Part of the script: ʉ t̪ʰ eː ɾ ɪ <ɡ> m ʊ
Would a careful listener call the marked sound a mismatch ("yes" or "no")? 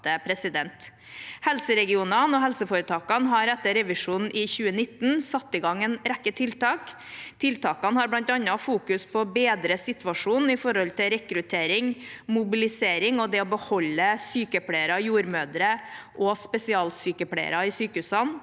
yes